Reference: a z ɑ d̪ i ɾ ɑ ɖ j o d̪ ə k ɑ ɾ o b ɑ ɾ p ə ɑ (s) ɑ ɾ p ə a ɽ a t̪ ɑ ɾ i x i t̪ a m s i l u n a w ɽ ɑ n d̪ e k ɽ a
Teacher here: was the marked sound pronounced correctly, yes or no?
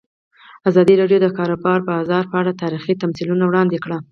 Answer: no